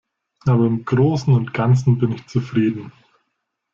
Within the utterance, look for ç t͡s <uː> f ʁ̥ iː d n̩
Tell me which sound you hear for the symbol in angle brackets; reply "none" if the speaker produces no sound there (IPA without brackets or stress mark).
u